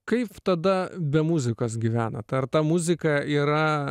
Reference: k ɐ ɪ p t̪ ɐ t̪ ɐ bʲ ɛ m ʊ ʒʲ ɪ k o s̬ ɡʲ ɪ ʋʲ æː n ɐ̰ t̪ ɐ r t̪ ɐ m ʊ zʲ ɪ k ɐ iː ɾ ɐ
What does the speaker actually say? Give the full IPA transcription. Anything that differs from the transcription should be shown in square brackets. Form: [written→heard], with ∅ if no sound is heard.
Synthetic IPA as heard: k ɐ ɪ p t̪ ɐ [t̪→d̪] ɐ bʲ ɛ m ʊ [ʒʲ→zʲ] ɪ k o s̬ ɡʲ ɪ ʋʲ æː n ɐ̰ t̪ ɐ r t̪ ɐ m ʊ zʲ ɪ k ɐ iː ɾ ɐ

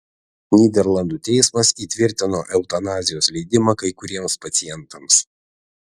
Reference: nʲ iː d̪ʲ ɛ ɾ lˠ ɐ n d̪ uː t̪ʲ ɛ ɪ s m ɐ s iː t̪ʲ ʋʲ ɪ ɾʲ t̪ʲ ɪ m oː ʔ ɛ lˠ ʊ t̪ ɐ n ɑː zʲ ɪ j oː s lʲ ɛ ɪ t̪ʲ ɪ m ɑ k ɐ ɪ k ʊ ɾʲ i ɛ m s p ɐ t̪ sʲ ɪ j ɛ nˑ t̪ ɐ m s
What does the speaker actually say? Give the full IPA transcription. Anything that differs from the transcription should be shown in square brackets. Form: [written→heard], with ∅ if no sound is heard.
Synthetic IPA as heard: nʲ iː d̪ʲ ɛ ɾ lˠ ɐ n d̪ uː t̪ʲ ɛ ɪ s m ɐ s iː t̪ʲ ʋʲ ɪ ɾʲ t̪ʲ ɪ [m→n] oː ʔ ɛ [lˠ→∅] ʊ t̪ ɐ n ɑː zʲ ɪ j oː s lʲ ɛ ɪ [t̪ʲ→d̪ʲ] ɪ m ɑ k ɐ ɪ k ʊ ɾʲ i ɛ m s p ɐ t̪ sʲ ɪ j ɛ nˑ t̪ ɐ m s

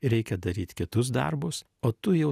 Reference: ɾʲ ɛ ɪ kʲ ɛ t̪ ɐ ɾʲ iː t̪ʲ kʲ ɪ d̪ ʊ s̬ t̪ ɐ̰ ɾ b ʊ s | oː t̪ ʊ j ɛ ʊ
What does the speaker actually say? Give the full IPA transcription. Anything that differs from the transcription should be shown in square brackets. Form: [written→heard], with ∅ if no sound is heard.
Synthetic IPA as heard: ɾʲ ɛ ɪ kʲ ɛ [t̪→d̪] ɐ ɾʲ iː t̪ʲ kʲ ɪ [d̪→t̪] ʊ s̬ [t̪→d̪] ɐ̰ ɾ b ʊ s | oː t̪ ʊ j ɛ ʊ

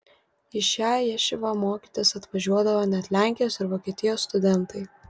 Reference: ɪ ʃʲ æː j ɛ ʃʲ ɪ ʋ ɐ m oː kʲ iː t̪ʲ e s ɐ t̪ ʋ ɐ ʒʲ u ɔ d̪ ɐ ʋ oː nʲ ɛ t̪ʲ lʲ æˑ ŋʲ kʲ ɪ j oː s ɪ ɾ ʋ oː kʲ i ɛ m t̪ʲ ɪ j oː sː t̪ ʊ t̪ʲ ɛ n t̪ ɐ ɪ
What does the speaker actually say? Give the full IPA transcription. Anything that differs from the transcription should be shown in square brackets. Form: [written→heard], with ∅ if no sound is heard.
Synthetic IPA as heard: ɪ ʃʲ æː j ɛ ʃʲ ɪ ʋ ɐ m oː kʲ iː t̪ʲ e s ɐ t̪ ʋ ɐ ʒʲ u ɔ d̪ ɐ ʋ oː nʲ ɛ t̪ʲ lʲ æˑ ŋʲ kʲ ɪ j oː s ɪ ɾ ʋ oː kʲ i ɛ [m→∅] t̪ʲ ɪ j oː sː t̪ ʊ [t̪ʲ→d̪ʲ] ɛ n t̪ ɐ ɪ

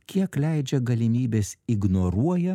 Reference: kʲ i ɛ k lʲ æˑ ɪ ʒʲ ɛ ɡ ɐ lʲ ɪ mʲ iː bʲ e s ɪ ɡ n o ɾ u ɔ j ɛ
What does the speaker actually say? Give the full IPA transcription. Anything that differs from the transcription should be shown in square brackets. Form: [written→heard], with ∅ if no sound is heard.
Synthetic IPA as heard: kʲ i ɛ k lʲ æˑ ɪ [ʒʲ→d͡ʒʲ] ɛ ɡ ɐ lʲ ɪ mʲ iː bʲ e s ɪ ɡ n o ɾ u ɔ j ɛ

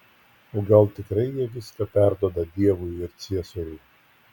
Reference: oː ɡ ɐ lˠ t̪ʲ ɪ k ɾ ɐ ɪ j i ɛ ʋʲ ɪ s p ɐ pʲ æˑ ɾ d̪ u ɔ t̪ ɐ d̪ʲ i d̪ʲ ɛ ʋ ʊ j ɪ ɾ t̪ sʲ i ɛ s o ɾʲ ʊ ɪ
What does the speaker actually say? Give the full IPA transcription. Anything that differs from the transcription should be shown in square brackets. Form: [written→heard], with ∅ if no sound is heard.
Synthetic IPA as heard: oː ɡ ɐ lˠ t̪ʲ ɪ k ɾ ɐ ɪ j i ɛ ʋʲ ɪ s [p→k] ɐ pʲ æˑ ɾ d̪ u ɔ [t̪→d̪] ɐ d̪ʲ i [d̪ʲ→∅] ɛ ʋ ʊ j ɪ ɾ t̪ sʲ i ɛ s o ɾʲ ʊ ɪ

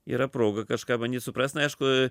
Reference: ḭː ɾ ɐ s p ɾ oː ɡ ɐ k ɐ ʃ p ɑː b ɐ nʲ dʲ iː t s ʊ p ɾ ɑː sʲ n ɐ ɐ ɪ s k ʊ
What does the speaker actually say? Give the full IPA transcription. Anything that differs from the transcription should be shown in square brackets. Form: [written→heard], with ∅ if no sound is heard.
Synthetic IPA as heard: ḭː ɾ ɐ [s→∅] p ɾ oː ɡ ɐ k ɐ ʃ [p→k] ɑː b ɐ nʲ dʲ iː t s ʊ p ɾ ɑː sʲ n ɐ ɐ ɪ [s→ʃ] k ʊ

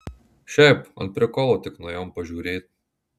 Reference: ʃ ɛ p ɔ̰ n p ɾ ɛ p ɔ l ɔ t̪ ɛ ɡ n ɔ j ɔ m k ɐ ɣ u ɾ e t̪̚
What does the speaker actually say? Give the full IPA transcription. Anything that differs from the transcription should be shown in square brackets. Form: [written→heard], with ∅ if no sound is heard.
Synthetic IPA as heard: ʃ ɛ p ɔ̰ n p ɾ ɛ [p→k] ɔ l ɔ t̪ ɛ [ɡ→k] n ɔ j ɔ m [k→p] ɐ [ɣ→ʒ] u ɾ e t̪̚

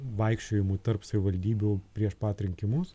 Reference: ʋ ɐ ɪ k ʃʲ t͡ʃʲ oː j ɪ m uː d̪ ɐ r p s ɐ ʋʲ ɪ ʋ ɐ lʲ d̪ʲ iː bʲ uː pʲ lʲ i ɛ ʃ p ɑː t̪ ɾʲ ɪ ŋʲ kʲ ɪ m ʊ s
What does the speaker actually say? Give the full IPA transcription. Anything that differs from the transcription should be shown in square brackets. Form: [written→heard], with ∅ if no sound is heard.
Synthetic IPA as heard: ʋ ɐ ɪ k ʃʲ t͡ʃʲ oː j ɪ m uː [d̪→t̪] ɐ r p s ɐ ʋʲ ɪ ʋ ɐ lʲ d̪ʲ iː bʲ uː pʲ [lʲ→ɾʲ] i ɛ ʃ p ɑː t̪ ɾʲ ɪ ŋʲ kʲ ɪ m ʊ s

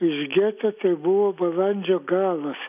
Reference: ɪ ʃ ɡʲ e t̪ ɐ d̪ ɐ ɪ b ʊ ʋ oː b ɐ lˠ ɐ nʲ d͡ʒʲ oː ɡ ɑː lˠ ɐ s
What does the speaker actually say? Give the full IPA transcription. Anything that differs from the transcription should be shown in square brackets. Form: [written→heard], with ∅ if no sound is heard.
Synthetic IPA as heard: ɪ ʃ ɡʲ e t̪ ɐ [d̪→t̪] ɐ ɪ b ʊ ʋ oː b ɐ lˠ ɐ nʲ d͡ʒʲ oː ɡ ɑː lˠ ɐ s

